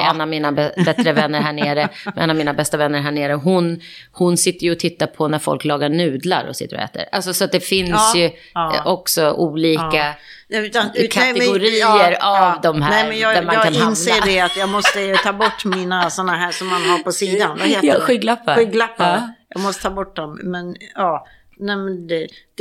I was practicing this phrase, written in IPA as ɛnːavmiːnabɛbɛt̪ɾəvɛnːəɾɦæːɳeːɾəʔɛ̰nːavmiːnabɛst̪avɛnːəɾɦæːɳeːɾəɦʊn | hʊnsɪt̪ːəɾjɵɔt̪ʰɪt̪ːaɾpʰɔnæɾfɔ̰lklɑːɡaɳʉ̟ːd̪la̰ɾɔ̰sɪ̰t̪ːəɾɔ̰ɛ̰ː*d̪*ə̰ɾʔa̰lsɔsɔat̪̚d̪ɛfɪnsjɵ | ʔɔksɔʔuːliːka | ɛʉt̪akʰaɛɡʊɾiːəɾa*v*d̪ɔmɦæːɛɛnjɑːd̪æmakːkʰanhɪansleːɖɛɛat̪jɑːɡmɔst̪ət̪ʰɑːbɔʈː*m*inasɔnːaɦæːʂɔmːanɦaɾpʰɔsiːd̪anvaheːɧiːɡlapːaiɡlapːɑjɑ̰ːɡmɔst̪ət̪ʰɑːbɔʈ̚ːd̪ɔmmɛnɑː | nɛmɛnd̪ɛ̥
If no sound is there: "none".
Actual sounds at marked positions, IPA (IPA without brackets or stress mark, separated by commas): t̪, v, m